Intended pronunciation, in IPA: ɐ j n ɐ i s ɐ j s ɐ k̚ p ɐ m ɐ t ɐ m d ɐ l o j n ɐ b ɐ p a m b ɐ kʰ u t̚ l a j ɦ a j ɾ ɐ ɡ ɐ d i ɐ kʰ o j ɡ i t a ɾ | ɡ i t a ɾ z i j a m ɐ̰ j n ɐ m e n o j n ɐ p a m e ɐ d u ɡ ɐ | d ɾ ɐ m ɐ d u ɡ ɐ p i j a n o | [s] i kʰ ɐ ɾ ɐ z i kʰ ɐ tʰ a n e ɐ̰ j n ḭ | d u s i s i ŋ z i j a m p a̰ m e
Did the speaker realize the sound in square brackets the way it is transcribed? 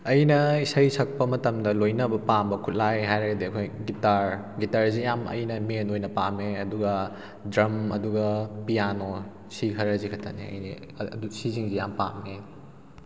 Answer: yes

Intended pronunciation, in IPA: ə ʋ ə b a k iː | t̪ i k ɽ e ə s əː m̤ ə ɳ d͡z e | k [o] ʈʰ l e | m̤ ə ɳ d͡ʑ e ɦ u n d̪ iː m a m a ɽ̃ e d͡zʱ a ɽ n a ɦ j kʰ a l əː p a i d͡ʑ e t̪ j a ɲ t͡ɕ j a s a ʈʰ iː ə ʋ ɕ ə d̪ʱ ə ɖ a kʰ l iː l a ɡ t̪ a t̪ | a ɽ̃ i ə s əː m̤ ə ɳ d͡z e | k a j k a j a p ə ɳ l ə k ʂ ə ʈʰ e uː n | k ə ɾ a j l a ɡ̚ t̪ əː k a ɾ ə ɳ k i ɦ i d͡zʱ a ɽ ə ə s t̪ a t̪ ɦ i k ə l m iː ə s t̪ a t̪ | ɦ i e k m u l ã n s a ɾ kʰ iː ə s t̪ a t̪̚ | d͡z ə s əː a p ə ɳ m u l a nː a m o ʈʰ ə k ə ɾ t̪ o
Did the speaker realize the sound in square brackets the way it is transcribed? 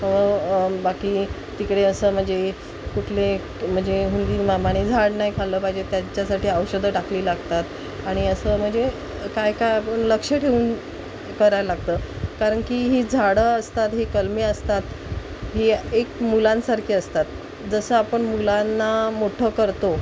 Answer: no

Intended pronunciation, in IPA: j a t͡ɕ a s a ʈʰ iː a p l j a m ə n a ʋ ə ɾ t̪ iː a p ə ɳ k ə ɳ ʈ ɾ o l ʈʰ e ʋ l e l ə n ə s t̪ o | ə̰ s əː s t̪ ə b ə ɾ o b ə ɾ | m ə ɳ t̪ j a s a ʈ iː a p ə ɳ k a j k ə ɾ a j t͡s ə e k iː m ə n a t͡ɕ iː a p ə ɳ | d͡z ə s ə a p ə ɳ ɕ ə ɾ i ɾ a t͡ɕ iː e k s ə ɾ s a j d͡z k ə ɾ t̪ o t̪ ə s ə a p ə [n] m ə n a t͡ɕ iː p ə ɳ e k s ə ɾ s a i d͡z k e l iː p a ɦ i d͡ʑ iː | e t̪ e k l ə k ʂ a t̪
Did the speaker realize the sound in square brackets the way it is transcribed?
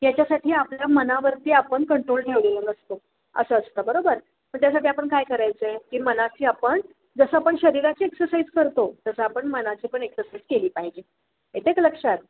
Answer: no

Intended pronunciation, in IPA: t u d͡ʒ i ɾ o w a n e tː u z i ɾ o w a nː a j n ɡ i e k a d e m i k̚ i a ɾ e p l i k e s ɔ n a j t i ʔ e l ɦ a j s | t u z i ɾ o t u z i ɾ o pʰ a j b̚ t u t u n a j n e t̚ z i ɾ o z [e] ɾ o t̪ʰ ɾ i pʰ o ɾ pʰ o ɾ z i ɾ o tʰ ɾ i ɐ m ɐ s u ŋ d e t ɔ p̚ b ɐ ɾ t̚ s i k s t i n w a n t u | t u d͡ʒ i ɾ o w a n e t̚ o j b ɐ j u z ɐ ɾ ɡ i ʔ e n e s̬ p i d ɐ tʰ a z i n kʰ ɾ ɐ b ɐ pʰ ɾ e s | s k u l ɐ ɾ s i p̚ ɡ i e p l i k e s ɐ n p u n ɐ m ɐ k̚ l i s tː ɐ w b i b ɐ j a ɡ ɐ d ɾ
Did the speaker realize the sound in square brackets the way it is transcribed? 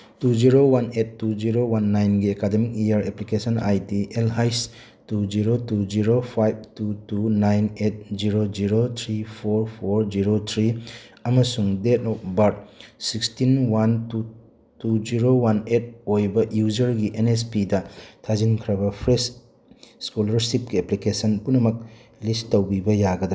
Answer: no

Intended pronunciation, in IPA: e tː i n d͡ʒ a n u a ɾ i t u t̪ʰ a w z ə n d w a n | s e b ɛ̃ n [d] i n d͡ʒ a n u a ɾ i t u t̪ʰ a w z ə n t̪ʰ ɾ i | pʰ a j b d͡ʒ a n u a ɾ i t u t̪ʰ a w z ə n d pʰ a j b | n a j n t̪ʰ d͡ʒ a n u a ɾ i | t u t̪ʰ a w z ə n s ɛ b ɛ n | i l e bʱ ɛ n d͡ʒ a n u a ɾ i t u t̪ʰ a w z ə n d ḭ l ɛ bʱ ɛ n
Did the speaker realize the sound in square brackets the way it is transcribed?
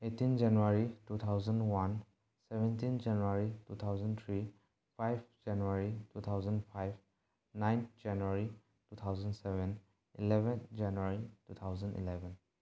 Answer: no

